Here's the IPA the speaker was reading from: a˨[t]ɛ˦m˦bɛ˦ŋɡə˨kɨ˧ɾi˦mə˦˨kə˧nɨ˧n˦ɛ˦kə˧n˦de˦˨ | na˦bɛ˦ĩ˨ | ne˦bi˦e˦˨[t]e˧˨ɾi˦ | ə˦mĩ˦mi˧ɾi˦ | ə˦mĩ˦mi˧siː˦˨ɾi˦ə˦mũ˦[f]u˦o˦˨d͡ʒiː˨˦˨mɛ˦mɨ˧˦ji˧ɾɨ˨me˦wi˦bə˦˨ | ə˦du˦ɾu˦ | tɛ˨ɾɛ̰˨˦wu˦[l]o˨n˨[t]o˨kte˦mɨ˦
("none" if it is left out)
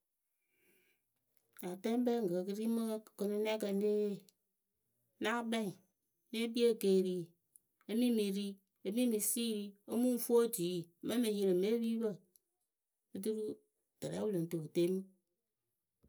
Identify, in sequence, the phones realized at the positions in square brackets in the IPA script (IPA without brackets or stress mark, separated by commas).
t, k, f, l, t